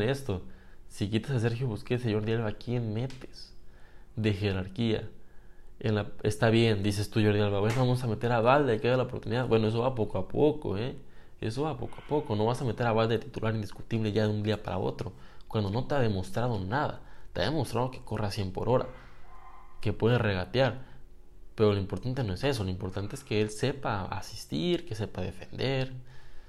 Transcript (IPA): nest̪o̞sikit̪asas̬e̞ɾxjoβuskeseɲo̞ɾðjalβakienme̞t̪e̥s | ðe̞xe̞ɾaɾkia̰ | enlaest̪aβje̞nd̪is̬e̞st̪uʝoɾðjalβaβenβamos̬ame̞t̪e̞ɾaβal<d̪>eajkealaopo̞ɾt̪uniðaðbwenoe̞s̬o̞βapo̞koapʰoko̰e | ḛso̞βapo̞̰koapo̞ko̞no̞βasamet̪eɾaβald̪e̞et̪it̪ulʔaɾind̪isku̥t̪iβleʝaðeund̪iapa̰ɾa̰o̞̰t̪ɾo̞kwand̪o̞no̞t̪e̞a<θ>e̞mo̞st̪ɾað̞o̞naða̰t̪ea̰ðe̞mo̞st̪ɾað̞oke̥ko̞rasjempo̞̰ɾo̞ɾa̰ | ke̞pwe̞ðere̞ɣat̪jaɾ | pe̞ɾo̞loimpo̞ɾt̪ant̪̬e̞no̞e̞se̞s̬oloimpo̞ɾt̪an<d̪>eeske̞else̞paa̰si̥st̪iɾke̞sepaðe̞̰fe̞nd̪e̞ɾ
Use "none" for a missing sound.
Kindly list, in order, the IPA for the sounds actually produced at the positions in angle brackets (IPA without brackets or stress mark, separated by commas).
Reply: d̪, ð, t̪